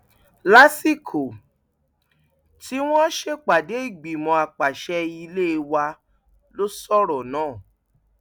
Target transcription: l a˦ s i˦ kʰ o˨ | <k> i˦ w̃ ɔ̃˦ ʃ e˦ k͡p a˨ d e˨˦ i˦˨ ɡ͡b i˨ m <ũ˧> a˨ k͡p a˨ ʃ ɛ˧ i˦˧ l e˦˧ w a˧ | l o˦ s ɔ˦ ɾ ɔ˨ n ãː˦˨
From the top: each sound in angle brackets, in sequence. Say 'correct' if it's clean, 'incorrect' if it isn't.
incorrect, incorrect

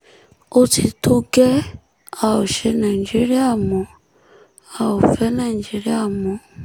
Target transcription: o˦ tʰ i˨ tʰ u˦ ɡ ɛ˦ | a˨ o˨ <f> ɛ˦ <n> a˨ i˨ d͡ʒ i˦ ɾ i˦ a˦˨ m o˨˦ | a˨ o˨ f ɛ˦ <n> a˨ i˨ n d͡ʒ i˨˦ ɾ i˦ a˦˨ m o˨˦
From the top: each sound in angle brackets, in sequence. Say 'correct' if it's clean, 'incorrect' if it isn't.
incorrect, correct, correct

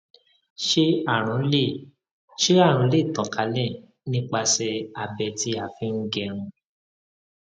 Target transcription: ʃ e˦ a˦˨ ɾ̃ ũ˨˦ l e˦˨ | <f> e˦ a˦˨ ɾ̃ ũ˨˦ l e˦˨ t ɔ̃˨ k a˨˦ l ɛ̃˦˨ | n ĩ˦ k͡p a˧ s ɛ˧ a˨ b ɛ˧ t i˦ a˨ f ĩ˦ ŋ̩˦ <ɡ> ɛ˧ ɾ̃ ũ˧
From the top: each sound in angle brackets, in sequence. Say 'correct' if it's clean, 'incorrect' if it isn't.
incorrect, correct

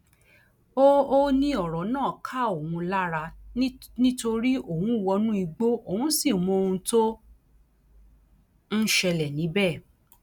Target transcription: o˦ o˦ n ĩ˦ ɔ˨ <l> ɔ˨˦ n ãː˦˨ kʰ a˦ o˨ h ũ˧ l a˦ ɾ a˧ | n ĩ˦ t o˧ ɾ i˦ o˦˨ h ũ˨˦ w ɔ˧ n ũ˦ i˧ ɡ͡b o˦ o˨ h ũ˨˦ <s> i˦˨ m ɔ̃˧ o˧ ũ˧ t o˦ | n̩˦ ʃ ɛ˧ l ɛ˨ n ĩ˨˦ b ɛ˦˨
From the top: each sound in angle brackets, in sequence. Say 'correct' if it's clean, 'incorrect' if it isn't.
incorrect, correct

